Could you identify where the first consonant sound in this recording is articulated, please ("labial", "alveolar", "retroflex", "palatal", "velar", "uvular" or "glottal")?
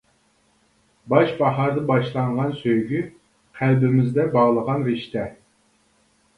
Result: labial